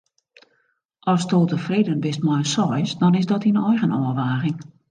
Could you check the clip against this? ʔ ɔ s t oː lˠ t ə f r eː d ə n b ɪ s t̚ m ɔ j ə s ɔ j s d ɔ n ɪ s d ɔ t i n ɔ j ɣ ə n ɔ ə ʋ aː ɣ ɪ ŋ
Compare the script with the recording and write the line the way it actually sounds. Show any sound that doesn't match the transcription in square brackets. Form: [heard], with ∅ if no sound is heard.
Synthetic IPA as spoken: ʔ ɔ s t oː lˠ t ə f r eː d ə n b ɪ s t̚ m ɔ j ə s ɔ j s d ɔ n ɪ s d ɔ t i n ɔ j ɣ ə n ɔ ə ʋ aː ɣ ɪ ŋ